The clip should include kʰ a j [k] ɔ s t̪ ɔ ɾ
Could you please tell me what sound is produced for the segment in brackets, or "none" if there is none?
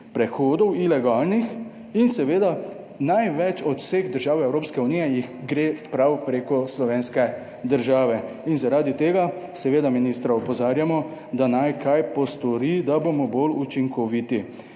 p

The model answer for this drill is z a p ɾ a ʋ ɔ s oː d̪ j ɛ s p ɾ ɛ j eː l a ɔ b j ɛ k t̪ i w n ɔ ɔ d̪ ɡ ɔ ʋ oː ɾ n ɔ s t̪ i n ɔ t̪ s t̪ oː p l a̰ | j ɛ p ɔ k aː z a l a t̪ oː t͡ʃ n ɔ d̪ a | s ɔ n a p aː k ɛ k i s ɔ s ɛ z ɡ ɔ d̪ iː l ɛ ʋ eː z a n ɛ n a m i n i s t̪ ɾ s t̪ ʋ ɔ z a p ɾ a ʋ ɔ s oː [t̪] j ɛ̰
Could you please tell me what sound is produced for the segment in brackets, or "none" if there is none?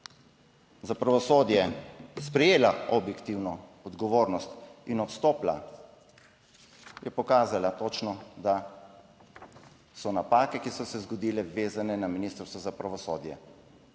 d̪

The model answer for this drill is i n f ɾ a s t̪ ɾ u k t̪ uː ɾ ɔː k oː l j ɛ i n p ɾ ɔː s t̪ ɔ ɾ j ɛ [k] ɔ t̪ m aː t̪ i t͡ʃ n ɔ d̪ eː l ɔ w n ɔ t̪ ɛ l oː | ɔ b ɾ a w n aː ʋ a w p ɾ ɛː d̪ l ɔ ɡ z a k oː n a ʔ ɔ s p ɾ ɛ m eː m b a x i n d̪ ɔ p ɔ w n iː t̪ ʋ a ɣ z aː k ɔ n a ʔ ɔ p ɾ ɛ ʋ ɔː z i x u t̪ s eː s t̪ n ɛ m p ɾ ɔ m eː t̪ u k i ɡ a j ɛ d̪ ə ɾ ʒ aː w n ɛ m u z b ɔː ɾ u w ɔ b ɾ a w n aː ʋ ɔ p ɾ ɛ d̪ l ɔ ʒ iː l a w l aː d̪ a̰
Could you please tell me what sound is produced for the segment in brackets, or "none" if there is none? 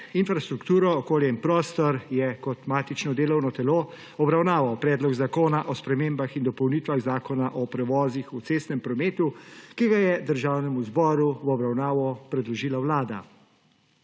k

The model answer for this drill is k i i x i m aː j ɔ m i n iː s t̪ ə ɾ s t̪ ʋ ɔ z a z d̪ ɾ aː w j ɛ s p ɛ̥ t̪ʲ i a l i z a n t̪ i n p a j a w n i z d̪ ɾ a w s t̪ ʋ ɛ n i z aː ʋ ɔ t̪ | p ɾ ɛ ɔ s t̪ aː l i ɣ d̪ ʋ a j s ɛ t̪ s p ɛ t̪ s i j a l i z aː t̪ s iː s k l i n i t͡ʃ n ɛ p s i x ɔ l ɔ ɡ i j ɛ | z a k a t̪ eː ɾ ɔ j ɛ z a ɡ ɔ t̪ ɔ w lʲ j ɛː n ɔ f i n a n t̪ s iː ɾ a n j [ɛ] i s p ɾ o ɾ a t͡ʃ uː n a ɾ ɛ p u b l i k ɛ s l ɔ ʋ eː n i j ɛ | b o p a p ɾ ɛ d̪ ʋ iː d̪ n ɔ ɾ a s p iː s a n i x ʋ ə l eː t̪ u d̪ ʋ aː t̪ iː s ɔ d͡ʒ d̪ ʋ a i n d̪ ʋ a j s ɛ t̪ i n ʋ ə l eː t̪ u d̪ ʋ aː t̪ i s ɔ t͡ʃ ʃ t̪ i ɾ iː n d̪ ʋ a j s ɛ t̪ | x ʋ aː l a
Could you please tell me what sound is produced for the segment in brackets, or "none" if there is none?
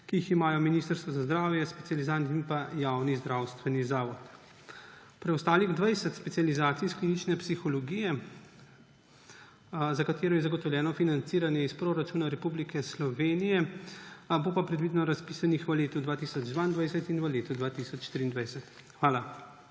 ɛ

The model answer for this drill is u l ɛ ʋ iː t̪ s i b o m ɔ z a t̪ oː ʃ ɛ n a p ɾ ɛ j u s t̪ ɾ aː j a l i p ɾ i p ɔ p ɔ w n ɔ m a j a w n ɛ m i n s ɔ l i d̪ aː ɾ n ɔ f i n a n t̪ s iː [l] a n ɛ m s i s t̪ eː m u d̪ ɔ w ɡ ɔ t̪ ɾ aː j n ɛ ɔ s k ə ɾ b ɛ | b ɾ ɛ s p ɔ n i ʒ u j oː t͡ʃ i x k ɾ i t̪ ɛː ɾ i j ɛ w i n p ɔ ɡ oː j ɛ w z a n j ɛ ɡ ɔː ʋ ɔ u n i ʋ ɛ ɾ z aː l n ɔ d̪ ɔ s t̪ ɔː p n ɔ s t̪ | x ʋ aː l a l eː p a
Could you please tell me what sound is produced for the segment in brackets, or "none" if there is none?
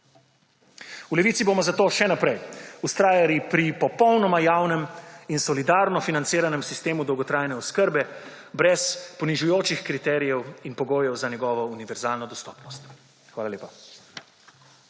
ɾ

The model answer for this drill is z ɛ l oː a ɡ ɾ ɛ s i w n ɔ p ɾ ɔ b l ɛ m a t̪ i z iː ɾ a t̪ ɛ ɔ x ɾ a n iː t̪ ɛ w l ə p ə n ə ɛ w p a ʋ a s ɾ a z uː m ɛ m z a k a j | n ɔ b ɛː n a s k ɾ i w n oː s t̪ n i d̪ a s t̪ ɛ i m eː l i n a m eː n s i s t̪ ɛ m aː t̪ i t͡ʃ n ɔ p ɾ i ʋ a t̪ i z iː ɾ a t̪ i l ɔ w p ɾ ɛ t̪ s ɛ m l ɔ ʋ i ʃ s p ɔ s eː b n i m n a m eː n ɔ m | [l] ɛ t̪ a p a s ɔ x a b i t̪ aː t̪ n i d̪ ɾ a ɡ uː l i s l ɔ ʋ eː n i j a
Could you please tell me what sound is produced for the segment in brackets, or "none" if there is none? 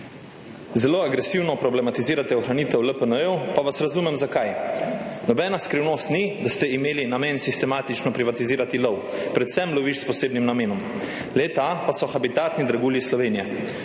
l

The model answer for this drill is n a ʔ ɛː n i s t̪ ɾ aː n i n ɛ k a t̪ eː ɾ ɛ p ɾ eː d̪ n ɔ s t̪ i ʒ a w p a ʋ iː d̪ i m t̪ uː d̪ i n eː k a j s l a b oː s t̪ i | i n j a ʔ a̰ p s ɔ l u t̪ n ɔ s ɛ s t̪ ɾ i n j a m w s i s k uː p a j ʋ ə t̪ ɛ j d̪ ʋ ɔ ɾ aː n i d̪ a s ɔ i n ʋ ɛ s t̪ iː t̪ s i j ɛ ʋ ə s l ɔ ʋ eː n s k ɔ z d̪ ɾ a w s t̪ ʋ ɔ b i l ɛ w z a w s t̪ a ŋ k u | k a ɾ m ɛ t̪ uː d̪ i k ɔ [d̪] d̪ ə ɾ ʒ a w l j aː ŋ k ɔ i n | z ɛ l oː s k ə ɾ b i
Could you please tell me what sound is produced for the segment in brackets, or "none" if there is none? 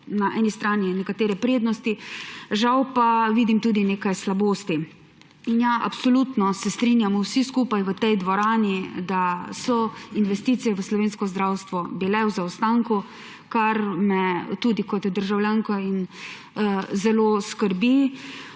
t̪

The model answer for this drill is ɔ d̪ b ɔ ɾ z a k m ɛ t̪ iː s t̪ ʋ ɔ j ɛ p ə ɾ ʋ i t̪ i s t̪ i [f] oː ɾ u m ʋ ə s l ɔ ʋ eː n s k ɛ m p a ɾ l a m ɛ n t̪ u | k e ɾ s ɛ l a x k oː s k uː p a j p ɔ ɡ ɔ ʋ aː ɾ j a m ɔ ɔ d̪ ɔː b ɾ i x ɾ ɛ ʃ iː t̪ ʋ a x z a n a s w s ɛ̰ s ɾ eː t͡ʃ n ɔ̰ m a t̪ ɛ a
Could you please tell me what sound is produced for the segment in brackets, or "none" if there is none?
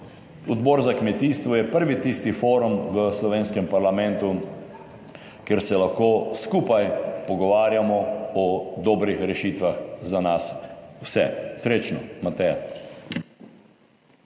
f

